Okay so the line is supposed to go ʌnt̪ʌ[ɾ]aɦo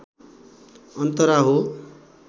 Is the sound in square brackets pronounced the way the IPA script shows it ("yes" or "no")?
yes